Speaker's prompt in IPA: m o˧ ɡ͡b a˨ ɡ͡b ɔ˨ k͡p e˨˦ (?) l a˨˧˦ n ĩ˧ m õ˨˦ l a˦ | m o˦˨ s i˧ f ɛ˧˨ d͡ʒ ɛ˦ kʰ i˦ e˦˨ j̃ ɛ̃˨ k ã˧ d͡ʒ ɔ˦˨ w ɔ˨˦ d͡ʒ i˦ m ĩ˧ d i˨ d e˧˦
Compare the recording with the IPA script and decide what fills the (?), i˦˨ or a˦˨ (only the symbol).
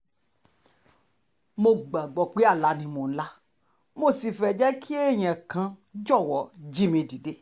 a˦˨